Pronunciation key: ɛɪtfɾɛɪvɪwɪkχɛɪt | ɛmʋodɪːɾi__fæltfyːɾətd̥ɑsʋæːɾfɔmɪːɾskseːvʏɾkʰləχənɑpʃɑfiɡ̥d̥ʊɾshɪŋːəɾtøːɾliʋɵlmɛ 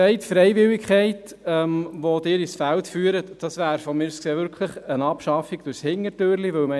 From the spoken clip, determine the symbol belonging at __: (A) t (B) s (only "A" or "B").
B